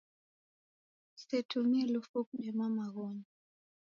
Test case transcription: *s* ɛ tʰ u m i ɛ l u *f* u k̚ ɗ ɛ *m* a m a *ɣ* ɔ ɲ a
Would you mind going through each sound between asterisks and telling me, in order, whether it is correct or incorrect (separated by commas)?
correct, correct, correct, correct